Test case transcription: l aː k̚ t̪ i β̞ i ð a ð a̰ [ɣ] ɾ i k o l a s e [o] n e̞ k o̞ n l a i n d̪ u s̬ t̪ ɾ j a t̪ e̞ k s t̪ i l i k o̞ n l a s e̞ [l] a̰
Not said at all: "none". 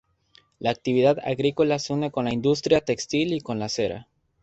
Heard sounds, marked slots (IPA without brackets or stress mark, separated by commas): ɣ, u, ɾ